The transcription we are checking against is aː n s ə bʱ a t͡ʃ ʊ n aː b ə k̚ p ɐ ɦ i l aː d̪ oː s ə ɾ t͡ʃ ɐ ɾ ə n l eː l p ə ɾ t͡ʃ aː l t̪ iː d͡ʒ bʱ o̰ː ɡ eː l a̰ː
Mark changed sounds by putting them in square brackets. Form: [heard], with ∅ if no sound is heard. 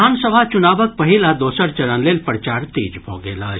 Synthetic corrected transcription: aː n s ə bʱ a t͡ʃ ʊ n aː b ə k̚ p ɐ ɦ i l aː d̪ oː s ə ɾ t͡ʃ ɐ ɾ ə n l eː l p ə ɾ t͡ʃ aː [ɾ] t̪ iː d͡ʒ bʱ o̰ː ɡ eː l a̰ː